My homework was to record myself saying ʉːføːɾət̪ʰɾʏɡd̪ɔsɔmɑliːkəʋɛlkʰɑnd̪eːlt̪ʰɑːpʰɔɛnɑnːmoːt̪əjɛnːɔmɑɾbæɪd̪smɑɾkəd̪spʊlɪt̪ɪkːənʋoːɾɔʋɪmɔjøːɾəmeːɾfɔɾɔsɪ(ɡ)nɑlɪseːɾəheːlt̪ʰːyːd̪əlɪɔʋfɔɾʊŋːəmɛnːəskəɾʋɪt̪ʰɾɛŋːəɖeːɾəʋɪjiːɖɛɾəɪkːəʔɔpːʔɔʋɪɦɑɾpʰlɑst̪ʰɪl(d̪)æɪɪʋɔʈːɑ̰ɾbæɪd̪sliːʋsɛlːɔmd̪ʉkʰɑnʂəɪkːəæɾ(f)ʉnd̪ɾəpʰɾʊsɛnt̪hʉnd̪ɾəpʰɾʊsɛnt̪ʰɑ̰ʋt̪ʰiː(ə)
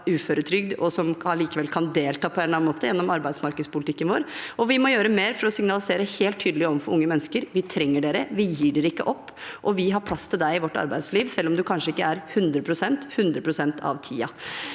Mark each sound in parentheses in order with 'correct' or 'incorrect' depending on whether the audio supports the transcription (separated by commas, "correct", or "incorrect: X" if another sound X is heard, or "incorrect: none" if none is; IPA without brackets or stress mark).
incorrect: ŋ, correct, incorrect: h, incorrect: ɑ